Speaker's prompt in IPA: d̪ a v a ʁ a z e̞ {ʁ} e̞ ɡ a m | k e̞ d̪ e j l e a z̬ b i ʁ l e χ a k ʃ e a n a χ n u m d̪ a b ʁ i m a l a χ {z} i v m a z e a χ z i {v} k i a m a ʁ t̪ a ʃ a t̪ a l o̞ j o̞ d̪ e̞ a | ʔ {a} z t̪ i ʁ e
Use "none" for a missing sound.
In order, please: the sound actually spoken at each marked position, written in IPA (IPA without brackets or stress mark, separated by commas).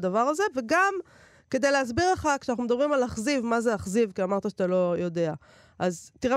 v, z, v, a